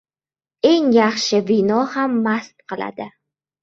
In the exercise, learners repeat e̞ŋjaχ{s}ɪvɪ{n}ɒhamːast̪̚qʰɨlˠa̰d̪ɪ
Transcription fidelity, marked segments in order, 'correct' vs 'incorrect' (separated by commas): incorrect, correct